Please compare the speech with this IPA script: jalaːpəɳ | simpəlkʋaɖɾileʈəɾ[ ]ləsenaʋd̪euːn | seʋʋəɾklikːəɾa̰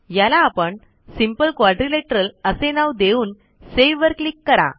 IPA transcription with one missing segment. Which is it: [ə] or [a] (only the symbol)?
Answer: ə